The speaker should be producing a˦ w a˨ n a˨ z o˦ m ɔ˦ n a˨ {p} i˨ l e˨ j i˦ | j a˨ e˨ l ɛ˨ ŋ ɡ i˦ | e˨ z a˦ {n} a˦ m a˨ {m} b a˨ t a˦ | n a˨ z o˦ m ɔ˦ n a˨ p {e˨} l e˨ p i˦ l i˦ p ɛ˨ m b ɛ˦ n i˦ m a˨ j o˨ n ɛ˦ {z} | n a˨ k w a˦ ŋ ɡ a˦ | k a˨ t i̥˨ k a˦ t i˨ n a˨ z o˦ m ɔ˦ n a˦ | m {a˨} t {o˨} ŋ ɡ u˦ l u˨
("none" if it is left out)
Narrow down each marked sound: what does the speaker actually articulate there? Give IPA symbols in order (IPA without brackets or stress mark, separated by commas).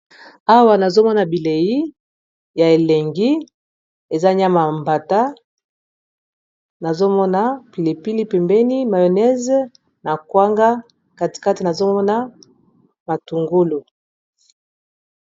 b, ɲ, m, i˨, z, a˨, u˨